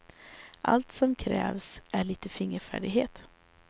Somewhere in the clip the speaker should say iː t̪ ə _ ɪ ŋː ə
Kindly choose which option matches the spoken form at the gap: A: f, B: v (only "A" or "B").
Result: A